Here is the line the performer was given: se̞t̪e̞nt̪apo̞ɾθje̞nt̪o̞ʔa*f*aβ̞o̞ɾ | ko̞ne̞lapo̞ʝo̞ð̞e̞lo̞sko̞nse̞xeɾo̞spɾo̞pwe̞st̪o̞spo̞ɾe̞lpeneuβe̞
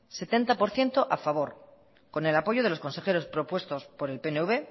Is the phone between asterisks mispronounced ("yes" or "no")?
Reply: no